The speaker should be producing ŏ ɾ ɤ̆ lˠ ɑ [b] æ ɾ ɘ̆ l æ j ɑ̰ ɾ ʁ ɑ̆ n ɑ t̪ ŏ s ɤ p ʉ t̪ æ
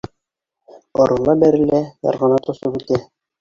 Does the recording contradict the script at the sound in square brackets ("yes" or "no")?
no